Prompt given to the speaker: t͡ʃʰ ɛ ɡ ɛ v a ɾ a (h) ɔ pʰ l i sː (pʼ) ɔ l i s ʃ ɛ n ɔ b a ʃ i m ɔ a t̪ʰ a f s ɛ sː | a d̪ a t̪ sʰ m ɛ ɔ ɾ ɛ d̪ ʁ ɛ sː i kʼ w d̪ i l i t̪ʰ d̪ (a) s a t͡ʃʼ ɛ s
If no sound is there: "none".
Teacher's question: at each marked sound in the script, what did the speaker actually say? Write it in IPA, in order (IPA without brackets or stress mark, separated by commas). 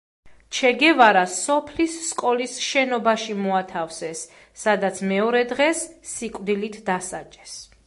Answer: s, kʼ, a